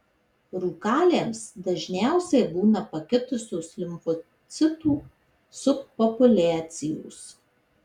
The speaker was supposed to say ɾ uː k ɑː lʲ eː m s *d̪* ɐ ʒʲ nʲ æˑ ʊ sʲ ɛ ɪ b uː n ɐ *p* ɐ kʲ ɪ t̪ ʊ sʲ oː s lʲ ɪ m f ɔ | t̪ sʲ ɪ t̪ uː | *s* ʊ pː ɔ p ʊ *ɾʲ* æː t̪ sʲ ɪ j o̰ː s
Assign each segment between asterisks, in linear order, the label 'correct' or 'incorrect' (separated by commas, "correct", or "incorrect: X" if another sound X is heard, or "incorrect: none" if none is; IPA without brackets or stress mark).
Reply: correct, correct, correct, incorrect: lʲ